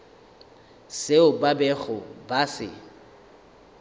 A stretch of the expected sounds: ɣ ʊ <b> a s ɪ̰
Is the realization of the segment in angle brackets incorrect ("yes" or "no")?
no